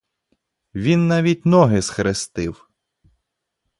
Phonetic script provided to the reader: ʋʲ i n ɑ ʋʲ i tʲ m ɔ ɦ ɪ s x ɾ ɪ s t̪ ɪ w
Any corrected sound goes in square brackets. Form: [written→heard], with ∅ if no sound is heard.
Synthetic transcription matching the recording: ʋʲ i [n→nː] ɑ ʋʲ i tʲ [m→n] ɔ ɦ ɪ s x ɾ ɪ s t̪ ɪ w